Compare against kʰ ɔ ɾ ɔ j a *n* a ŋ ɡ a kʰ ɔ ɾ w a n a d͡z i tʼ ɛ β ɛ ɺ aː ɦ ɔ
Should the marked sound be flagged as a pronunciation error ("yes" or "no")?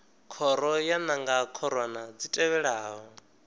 no